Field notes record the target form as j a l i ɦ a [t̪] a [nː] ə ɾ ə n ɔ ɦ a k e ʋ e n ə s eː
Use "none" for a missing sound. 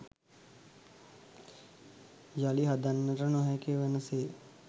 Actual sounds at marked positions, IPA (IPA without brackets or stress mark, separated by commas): d̪, nː